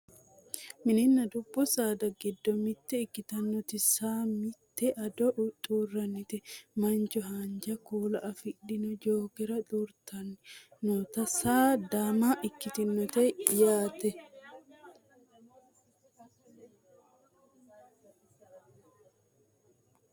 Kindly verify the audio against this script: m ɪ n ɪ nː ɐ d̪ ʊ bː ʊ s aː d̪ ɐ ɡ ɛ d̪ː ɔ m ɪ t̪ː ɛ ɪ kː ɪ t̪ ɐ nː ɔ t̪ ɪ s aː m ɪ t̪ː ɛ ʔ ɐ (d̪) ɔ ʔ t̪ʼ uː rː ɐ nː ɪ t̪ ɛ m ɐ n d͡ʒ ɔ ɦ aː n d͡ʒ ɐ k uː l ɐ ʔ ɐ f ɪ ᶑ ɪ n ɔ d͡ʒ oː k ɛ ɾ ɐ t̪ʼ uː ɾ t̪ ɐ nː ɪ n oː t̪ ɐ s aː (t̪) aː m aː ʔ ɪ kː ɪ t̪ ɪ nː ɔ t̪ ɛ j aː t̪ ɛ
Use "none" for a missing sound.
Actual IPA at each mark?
d̪, d̪

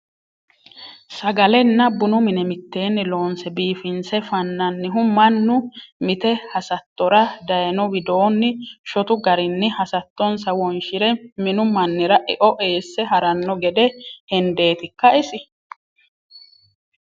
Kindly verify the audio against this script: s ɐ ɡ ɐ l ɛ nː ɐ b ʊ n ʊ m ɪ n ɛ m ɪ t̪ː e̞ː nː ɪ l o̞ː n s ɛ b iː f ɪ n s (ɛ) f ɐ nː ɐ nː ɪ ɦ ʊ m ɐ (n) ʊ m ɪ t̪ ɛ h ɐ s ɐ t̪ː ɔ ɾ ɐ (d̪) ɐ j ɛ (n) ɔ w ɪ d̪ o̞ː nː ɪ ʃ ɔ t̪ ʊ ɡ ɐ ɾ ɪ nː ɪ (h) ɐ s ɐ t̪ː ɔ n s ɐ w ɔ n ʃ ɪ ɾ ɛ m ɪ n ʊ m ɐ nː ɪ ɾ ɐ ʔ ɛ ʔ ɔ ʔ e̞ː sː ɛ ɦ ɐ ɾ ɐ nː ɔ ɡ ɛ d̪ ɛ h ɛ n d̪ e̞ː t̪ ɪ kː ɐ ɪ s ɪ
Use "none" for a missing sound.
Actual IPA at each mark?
ɛ, nː, d̪, n, h

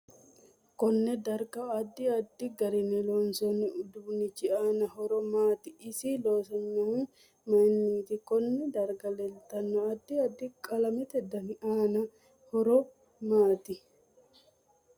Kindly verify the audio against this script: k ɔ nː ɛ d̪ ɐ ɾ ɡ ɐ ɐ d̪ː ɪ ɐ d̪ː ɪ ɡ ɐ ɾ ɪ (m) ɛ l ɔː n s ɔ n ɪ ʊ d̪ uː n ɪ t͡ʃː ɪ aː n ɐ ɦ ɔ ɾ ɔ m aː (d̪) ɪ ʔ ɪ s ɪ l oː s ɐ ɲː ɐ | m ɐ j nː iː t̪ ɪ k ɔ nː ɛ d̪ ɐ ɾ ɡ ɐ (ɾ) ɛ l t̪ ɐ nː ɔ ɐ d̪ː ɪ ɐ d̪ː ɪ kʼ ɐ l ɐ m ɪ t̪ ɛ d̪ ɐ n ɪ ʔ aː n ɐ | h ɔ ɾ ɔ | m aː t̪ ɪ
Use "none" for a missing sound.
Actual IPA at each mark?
n, t̪, l

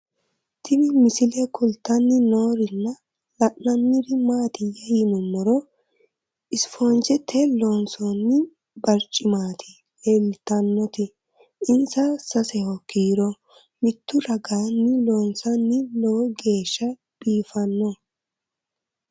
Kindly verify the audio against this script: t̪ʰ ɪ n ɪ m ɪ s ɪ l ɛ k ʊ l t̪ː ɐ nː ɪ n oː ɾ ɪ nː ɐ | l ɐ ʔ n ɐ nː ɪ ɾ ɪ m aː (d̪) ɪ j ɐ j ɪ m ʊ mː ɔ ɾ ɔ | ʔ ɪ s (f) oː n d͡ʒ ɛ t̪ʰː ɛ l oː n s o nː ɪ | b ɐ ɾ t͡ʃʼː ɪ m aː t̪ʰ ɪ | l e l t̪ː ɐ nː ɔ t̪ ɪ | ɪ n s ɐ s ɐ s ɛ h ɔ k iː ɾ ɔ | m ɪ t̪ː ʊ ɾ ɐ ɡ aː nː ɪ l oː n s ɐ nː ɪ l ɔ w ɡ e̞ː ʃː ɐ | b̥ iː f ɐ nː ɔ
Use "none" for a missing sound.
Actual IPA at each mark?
t̪, f

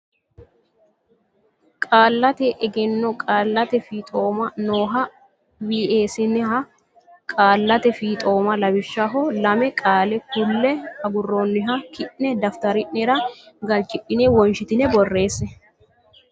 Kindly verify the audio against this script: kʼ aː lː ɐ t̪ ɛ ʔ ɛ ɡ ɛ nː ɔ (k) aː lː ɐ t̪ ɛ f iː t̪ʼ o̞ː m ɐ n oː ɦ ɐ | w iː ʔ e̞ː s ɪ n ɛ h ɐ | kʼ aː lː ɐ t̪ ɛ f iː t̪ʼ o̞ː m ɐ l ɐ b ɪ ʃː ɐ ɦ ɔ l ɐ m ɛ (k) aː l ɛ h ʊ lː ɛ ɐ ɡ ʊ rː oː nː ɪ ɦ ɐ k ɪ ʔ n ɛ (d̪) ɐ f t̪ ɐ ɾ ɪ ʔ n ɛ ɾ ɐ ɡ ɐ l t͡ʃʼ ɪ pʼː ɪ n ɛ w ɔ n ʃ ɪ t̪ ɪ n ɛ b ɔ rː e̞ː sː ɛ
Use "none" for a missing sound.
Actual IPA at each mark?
kʼ, kʼ, d̪

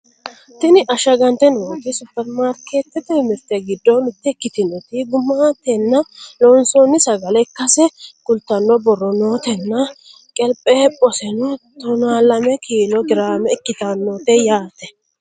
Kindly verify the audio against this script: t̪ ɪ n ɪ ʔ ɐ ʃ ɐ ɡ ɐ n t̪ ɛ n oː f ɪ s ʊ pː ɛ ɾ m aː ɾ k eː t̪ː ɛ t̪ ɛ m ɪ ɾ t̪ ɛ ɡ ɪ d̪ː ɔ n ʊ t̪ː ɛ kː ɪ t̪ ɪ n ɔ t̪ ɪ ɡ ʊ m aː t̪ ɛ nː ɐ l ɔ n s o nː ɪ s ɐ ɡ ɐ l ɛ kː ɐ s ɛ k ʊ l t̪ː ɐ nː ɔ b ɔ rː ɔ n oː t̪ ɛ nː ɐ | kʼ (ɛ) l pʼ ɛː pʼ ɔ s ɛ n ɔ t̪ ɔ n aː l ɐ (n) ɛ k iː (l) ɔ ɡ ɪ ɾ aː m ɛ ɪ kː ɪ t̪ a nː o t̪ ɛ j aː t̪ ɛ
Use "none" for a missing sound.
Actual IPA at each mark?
ɛ, m, l

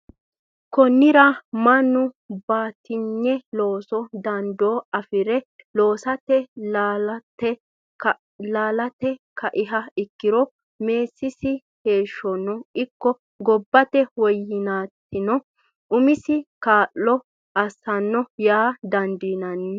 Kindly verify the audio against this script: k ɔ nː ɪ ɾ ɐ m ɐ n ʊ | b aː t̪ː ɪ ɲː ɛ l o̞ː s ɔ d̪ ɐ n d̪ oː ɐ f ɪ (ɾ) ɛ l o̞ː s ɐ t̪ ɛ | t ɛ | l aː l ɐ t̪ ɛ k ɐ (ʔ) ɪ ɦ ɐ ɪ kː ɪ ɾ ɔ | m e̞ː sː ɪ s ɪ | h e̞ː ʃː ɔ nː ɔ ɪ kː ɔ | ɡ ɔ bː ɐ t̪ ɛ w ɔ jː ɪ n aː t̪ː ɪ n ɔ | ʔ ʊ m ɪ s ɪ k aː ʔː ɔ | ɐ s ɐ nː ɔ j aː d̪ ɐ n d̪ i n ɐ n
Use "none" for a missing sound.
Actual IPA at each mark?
ɾ, ʔ

